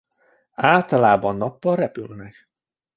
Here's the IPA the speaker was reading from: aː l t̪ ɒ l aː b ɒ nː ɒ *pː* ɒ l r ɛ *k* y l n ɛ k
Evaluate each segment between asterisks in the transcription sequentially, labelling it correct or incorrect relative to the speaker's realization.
correct, incorrect: p

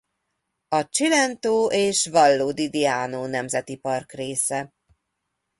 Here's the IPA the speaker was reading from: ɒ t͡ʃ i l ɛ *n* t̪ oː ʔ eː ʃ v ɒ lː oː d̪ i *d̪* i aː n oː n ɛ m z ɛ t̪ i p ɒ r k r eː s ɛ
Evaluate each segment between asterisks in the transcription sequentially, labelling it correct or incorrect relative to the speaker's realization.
correct, correct

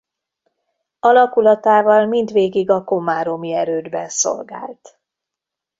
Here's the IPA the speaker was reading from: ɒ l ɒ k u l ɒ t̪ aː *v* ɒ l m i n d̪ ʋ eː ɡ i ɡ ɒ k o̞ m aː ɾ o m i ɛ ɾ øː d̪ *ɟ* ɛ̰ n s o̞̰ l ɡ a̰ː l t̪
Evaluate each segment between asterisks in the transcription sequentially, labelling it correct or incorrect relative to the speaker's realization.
correct, incorrect: b

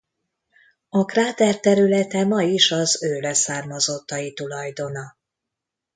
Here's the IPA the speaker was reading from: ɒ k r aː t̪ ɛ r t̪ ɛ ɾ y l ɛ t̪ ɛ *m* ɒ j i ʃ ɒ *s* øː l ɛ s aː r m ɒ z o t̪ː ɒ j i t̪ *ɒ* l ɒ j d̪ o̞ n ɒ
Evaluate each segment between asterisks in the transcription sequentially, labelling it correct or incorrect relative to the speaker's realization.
correct, incorrect: z, incorrect: u

